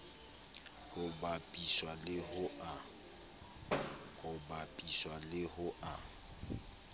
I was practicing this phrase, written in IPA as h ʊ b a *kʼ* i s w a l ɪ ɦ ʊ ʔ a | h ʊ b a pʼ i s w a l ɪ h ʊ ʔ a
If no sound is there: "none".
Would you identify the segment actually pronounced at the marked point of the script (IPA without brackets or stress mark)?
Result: pʼ